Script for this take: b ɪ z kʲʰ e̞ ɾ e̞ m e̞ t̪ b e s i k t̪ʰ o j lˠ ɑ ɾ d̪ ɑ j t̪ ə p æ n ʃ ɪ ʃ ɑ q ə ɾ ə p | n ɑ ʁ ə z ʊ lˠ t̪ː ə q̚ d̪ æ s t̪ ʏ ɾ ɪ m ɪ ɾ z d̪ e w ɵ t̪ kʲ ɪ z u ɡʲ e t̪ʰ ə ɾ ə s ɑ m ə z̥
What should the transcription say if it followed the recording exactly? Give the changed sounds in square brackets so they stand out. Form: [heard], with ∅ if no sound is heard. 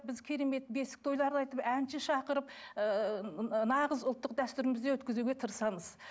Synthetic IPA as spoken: b ɪ z kʲʰ e̞ ɾ e̞ m e̞ t̪ b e s [ɪ] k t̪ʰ o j lˠ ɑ ɾ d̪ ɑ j t̪ ə p æ n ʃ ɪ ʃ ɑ q ə ɾ ə p | n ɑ ʁ ə z ʊ lˠ t̪ː ə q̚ d̪ æ s t̪ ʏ ɾ ɪ m ɪ [∅] z d̪ e w ɵ t̪ kʲ ɪ z u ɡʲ e t̪ʰ ə ɾ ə s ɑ m ə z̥